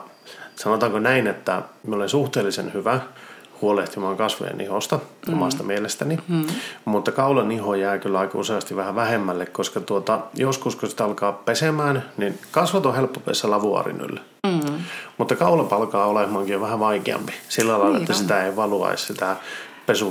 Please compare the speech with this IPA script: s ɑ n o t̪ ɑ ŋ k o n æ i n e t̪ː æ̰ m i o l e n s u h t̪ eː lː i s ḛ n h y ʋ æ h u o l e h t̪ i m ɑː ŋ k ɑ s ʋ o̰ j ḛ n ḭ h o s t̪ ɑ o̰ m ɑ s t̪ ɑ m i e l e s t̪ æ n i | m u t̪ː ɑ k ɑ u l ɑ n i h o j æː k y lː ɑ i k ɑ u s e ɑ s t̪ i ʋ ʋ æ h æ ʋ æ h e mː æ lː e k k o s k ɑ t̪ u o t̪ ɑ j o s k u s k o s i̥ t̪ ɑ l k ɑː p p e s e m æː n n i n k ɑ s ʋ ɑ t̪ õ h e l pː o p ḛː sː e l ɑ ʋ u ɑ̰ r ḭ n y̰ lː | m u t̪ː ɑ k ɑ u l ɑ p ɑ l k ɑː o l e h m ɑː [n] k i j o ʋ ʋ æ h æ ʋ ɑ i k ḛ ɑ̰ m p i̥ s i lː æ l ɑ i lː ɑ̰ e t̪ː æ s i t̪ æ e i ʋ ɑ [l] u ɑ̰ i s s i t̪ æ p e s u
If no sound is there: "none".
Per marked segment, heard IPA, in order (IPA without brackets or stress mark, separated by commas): ŋ, l